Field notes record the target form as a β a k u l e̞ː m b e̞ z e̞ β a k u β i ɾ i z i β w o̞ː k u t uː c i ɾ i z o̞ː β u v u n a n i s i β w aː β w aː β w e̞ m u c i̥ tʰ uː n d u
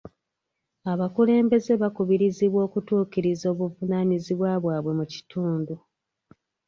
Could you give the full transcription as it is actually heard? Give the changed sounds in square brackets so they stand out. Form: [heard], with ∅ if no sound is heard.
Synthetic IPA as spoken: a β a k u l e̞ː m b e̞ z e̞ β a k u β i ɾ i z i β w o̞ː k u t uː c i ɾ i z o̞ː β u v u n a n i [z] i β w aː β w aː β w e̞ m u c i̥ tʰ uː n d u